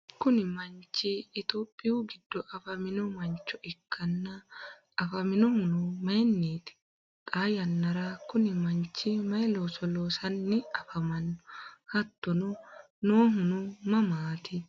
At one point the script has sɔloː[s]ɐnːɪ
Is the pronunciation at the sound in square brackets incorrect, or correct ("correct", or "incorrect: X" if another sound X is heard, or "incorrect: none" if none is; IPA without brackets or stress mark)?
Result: correct